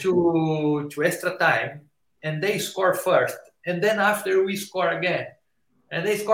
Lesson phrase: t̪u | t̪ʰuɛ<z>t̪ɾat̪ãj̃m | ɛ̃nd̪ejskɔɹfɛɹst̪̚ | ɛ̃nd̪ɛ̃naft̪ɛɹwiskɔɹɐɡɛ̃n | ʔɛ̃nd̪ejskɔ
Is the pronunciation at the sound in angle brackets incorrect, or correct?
incorrect